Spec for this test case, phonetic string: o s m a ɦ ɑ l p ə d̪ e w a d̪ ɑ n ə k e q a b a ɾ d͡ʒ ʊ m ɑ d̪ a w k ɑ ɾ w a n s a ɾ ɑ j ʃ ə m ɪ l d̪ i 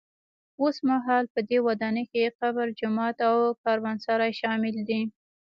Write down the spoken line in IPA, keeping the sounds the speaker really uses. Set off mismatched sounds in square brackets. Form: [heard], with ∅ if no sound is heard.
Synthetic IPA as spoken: o s m a ɦ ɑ l p ə d̪ e w a d̪ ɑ n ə k e q a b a ɾ d͡ʒ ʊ m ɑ [t̪] a w k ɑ ɾ w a n s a ɾ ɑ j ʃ [ɑ] m ɪ l d̪ i